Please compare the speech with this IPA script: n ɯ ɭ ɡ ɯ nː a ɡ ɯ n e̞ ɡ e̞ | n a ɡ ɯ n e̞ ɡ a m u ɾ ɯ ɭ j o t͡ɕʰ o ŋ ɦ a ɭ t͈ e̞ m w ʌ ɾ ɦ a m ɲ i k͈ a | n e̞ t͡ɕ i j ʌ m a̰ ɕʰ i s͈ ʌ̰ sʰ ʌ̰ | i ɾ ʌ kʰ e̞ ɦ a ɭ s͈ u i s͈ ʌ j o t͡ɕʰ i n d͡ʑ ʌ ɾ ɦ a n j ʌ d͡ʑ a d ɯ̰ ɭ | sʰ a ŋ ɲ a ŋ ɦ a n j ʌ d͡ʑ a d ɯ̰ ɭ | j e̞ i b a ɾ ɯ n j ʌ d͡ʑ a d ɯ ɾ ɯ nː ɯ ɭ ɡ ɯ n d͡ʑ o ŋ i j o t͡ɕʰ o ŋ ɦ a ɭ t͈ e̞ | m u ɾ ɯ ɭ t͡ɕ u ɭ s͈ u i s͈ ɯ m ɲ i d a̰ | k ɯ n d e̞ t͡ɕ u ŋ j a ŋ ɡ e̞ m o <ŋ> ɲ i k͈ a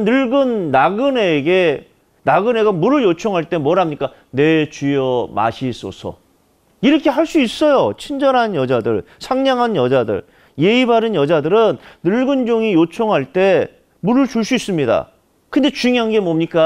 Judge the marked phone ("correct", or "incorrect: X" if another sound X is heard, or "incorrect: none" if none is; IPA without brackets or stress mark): incorrect: m